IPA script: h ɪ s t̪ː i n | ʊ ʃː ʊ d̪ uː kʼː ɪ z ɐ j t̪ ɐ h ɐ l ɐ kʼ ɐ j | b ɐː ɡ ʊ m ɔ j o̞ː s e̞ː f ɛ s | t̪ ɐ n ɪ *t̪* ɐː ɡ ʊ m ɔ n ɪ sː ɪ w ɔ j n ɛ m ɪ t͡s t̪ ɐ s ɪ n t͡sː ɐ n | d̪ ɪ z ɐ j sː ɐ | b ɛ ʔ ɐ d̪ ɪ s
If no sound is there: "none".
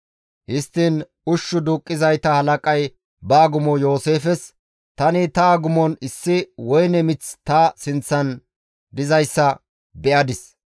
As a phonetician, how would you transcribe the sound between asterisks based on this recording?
t̪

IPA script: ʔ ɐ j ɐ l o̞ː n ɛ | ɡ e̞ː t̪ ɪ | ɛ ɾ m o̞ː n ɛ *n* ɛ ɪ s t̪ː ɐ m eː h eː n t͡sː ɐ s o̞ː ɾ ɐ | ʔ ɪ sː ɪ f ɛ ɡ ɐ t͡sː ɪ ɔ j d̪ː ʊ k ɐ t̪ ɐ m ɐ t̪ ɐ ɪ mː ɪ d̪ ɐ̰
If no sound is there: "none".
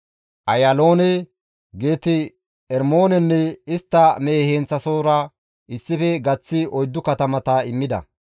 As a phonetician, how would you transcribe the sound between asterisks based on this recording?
nː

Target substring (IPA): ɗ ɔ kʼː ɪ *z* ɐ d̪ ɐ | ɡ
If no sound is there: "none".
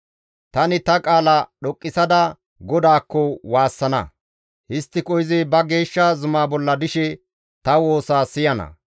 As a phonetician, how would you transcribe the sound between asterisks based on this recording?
s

